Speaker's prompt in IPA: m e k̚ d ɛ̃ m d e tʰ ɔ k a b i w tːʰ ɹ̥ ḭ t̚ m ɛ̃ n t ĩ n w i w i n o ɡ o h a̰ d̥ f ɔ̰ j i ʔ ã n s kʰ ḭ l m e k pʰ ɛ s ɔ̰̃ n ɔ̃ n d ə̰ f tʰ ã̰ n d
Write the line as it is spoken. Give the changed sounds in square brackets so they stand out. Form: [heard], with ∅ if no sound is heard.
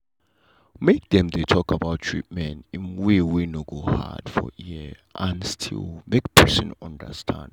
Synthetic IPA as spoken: m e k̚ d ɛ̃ m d e tʰ ɔ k a b [a] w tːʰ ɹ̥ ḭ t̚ m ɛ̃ n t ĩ n w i w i n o ɡ o h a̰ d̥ f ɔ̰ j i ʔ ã n s [tʰ] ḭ l m e k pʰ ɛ s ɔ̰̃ n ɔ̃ n d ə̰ [s] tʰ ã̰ n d